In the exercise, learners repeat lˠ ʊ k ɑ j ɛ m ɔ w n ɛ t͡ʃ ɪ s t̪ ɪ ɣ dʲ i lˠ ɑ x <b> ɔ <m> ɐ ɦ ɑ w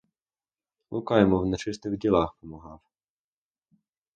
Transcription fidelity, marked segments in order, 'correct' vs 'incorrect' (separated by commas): incorrect, correct